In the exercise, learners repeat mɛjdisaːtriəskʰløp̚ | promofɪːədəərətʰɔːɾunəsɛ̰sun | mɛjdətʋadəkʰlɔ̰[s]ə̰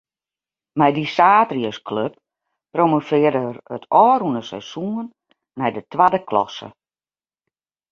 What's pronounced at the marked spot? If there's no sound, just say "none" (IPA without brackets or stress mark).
s